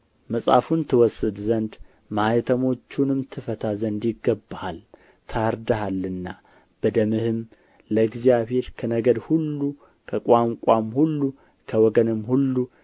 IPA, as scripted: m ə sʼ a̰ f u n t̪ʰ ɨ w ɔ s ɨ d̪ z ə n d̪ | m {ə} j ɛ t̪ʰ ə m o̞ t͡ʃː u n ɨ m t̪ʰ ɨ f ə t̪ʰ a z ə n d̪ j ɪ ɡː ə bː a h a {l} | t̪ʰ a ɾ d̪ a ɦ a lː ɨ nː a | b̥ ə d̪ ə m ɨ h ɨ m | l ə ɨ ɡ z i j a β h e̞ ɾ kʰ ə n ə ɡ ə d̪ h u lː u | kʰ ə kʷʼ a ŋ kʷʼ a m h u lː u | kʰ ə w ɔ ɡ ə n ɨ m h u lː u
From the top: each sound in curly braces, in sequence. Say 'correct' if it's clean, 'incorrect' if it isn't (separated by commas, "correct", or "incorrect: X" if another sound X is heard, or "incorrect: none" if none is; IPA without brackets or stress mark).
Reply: incorrect: a, correct